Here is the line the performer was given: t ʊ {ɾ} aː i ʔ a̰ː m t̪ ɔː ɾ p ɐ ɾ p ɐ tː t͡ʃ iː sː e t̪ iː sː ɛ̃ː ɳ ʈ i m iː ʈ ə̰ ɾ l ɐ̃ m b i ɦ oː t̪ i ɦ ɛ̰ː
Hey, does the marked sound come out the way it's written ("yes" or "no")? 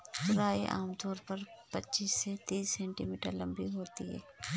yes